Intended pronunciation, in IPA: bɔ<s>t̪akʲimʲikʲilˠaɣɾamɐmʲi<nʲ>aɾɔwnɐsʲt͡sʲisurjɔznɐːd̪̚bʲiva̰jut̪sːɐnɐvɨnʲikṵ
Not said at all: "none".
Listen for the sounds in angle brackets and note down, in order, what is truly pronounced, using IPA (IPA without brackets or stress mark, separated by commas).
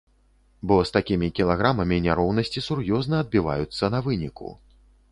s, nʲ